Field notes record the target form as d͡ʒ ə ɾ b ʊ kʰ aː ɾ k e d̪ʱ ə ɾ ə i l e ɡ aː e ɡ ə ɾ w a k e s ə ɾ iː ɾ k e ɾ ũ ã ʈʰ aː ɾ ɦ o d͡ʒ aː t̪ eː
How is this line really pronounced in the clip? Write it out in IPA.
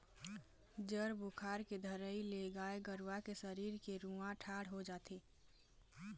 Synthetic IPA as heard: d͡ʒ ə ɾ b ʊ kʰ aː ɾ k e d̪ʱ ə ɾ ə i l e ɡ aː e ɡ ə ɾ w a k e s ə ɾ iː ɾ k e ɾ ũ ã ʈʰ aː ɽ ɦ o d͡ʒ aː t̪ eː